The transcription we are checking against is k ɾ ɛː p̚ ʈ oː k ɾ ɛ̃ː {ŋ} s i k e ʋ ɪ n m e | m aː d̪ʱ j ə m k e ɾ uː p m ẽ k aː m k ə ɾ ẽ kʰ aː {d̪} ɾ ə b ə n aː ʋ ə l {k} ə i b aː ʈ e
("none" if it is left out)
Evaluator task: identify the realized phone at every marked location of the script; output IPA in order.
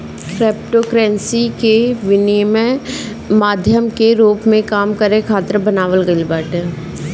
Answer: n, t̪, ɡ

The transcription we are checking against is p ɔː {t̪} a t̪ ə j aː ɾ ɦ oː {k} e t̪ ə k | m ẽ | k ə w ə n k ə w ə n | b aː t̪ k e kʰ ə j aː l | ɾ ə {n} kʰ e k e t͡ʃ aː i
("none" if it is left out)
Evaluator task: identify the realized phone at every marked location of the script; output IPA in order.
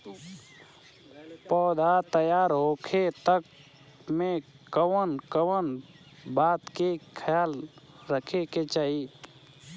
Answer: d̪, kʰ, none

